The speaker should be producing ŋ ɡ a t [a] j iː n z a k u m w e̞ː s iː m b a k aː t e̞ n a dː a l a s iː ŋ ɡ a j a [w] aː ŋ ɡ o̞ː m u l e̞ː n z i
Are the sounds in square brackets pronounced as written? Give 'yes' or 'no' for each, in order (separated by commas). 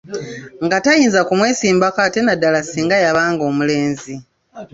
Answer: yes, no